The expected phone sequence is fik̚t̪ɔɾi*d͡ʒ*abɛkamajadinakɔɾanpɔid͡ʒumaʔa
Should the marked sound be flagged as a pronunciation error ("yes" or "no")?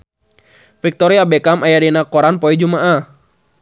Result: yes